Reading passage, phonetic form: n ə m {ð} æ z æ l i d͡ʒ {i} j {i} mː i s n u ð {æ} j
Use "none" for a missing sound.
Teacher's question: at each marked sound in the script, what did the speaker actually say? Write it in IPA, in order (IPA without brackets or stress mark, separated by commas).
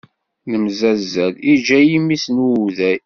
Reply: z, æ, i, æ